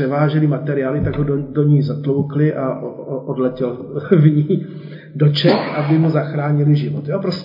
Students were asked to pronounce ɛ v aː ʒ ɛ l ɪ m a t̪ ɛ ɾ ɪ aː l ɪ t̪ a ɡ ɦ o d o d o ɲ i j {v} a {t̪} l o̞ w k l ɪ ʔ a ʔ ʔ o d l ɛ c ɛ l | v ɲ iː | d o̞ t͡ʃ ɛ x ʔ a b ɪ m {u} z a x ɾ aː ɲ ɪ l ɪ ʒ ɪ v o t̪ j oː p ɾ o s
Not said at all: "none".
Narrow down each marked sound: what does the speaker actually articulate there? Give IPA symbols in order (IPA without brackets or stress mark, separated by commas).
z, t̪, u